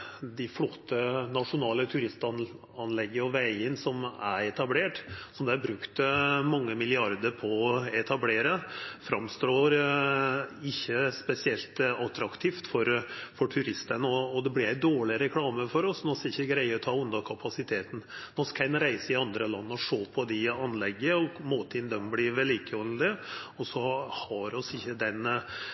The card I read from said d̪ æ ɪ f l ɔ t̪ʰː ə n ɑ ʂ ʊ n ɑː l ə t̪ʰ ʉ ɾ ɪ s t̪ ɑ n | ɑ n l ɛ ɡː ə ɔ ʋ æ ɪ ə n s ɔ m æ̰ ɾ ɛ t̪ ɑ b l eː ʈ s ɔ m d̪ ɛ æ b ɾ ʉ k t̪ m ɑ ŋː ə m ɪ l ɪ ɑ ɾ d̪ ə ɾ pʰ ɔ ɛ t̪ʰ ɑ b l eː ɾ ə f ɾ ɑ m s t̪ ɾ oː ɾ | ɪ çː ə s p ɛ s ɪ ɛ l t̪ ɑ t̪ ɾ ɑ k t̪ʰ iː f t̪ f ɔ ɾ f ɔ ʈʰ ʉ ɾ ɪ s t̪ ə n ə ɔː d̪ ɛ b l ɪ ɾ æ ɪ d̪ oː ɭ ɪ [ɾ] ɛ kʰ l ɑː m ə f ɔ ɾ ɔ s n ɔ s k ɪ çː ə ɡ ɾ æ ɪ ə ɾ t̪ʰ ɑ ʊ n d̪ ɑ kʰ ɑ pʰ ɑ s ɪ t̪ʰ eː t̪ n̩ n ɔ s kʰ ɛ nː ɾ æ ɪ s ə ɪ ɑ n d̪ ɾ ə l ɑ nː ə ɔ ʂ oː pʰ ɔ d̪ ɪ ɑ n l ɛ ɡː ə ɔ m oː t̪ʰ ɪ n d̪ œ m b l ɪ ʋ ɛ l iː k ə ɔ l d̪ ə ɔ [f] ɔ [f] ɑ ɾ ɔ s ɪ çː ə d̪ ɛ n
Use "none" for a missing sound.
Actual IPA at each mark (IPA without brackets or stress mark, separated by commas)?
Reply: ɾ, s, h